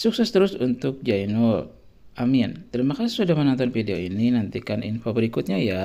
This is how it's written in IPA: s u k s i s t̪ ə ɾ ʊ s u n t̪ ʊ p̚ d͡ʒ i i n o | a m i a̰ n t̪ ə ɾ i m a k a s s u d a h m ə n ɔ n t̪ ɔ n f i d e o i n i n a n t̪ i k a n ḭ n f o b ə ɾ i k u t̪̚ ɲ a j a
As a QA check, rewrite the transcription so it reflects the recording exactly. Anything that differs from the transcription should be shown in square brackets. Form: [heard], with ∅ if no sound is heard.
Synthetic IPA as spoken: s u k s [ɛ] s t̪ ə ɾ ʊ s u n t̪ ʊ [k̚] d͡ʒ [a] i n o | a m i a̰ n t̪ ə ɾ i m a k a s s u d a h m ə n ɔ n t̪ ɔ n f i d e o i n i n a n t̪ i k a n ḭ n f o b ə ɾ i k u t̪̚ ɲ a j a

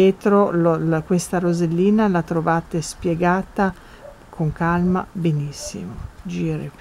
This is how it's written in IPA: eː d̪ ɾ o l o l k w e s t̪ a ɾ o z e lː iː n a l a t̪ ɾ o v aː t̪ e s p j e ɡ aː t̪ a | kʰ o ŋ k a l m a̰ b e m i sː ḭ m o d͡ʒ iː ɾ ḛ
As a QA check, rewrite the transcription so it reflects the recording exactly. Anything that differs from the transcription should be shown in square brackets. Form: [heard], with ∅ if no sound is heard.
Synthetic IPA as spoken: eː [t̪] ɾ o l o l k w e s t̪ a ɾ o z e lː iː n a l a t̪ ɾ o v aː t̪ e s p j e ɡ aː t̪ a | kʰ o ŋ k a l m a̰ b e [n] i sː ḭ m o d͡ʒ iː ɾ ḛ

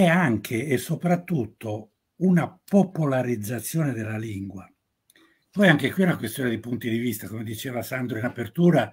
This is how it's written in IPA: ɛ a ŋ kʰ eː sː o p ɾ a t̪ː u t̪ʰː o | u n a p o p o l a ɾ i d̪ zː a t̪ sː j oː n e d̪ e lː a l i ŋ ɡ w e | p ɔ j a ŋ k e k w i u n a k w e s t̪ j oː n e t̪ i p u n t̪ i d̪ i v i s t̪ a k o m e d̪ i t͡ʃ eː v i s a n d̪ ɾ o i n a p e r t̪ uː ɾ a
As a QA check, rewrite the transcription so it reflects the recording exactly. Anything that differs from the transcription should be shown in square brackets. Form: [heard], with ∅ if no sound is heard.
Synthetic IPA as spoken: ɛ a ŋ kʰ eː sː o p ɾ a t̪ː u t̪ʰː o | u n a p o p o l a ɾ i d̪ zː a t̪ sː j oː n e d̪ e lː a l i ŋ ɡ w [a] | p ɔ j a ŋ k e k w i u n a k w e s t̪ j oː n e [d̪] i p u n t̪ i d̪ i v i s t̪ a k o m e d̪ i t͡ʃ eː v [a] s a n d̪ ɾ o i n a p e r t̪ uː ɾ a

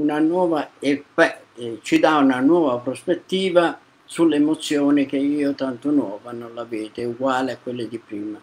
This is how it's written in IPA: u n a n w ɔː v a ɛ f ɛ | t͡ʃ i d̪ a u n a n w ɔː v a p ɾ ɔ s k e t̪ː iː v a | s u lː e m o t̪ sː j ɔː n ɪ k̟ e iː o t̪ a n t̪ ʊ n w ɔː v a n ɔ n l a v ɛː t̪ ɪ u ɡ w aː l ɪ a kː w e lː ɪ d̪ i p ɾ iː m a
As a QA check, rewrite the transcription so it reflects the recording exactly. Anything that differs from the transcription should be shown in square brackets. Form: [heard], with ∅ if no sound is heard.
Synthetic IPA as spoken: u n a n w ɔː v a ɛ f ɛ | t͡ʃ i d̪ a u n a n w ɔː v a p ɾ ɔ s [p] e t̪ː iː v a | s u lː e m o t̪ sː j ɔː n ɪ k̟ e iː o t̪ a n t̪ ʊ n w ɔː v a n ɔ n l a v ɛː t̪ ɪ u ɡ w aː l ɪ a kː w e lː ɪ d̪ i p ɾ iː m a

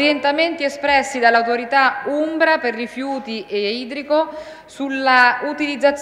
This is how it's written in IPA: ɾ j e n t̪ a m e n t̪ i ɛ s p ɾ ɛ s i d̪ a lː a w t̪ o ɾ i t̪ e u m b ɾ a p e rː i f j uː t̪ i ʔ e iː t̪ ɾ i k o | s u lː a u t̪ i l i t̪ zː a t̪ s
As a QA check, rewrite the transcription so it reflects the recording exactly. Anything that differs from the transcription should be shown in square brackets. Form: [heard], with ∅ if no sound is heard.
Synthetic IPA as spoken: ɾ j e n t̪ a m e n t̪ i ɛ s p ɾ ɛ [sː] i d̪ a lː a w t̪ o ɾ i t̪ [a] u m b ɾ a p e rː i f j uː t̪ i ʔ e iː [d̪] ɾ i k o | s u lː a u t̪ i l i [d̪] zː a t̪ s

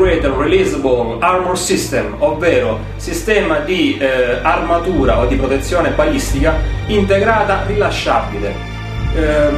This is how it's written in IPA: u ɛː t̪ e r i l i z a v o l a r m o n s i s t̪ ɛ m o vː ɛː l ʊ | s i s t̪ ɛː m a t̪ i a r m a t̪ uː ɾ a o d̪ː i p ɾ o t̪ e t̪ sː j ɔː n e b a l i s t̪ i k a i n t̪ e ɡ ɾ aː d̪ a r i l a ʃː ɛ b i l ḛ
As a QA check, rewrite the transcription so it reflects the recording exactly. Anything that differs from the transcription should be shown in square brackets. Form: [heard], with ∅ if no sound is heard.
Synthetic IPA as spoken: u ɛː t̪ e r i l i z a [b] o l a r m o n s i s t̪ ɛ m o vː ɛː [ɾ] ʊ | s i s t̪ ɛː m a [d̪] i a r m a t̪ uː ɾ a o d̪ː i p ɾ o t̪ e t̪ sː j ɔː n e b a l i s t̪ i k a i n t̪ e ɡ ɾ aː [t̪] a r i l a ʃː [a] b i l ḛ

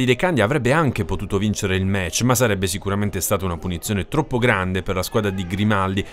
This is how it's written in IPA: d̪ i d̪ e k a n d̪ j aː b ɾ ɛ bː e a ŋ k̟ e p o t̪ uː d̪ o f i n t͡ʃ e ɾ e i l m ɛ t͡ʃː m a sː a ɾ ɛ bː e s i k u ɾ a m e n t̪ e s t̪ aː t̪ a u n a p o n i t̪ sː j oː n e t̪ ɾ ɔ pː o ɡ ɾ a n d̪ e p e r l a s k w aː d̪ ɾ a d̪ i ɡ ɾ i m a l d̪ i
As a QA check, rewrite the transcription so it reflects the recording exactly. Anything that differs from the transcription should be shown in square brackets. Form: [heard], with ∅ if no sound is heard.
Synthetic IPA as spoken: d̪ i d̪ e k a n d̪ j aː [v] ɾ ɛ bː e a ŋ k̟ e p o t̪ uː [t̪] o [v] i n t͡ʃ e ɾ e i l m ɛ t͡ʃː m a sː a ɾ ɛ bː e s i k u ɾ a m e n t̪ e s t̪ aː t̪ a u n a p [u] n i t̪ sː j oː n e t̪ ɾ ɔ pː o ɡ ɾ a n d̪ e p e r l a s k w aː d̪ ɾ a d̪ i ɡ ɾ i m a l d̪ i

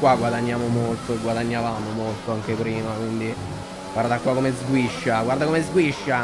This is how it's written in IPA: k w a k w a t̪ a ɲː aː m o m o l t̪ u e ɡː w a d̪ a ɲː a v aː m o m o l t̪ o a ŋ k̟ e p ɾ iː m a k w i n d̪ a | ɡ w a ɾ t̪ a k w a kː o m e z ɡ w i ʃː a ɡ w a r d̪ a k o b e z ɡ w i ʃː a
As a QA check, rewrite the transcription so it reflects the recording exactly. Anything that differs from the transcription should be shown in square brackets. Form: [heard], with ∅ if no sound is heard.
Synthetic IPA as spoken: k w a [ɡ] w a [d̪] a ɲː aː m o m o l t̪ [o] e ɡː w a d̪ a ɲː a v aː m o m o l t̪ o a ŋ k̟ e p ɾ iː m a k w i n d̪ [i] | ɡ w a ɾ [d̪] a k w a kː o m e z ɡ w i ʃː a ɡ w a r d̪ a k o [m] e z ɡ w i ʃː a

